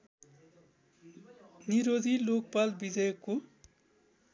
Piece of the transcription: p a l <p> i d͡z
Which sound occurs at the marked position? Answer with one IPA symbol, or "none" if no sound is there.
b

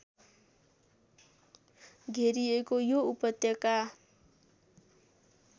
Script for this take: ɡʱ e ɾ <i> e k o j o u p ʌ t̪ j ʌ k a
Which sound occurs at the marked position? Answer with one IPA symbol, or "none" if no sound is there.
i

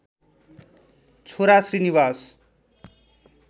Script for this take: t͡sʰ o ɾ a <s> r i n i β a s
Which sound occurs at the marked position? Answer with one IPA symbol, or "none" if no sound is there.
s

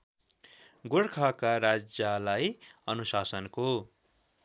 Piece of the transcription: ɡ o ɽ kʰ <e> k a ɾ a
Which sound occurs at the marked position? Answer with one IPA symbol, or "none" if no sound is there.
a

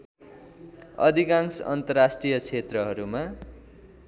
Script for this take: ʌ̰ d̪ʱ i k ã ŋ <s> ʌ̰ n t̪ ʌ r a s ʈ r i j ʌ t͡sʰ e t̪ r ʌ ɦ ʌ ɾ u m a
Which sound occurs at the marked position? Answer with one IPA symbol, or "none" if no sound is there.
s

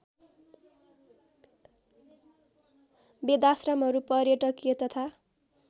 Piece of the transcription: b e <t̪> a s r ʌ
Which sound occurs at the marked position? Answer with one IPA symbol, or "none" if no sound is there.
d̪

